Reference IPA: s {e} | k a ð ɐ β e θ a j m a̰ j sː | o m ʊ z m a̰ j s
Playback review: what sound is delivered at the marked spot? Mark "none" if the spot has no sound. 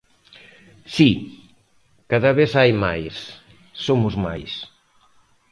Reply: i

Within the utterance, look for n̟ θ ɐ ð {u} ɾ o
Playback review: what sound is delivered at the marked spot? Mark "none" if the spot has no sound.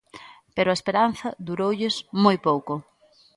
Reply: u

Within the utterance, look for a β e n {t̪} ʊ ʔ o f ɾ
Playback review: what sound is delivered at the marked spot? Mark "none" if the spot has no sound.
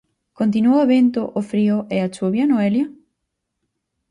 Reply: t̪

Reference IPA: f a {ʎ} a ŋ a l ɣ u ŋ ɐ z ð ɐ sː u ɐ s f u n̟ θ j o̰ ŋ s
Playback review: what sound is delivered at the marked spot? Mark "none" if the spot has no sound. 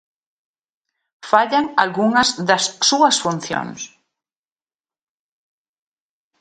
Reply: ʎ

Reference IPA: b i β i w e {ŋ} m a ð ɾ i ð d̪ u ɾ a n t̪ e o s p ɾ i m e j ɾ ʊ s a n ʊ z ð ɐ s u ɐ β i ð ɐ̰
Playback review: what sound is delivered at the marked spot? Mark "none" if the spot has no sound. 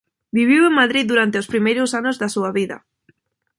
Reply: ŋ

